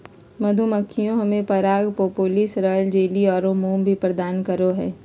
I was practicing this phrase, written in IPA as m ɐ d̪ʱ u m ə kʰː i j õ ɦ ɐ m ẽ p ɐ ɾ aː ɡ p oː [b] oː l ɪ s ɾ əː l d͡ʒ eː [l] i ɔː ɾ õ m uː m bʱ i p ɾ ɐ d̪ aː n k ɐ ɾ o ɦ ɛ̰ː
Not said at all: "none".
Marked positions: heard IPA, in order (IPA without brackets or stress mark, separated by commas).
p, l